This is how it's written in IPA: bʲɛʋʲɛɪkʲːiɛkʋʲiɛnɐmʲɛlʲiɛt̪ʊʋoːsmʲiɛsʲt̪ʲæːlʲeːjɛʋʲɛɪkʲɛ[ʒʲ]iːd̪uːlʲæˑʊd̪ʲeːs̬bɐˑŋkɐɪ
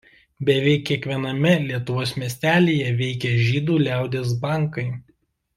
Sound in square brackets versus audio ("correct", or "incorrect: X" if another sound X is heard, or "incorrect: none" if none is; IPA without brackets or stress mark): correct